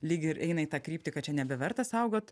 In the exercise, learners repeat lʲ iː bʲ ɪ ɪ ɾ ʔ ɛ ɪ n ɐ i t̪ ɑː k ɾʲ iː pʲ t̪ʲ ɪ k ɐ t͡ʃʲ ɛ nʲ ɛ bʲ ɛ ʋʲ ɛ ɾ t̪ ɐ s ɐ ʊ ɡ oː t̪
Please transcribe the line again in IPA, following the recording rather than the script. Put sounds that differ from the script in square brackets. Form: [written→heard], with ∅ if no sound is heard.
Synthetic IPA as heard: lʲ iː [bʲ→ɡʲ] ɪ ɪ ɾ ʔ ɛ ɪ n ɐ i t̪ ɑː k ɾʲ iː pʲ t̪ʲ ɪ k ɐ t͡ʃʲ ɛ nʲ ɛ bʲ ɛ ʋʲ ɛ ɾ t̪ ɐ s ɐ ʊ ɡ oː t̪